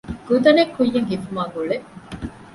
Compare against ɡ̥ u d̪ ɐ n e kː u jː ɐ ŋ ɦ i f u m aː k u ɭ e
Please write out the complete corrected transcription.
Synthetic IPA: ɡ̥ u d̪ ɐ n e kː u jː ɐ ŋ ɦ i f u m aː ɡ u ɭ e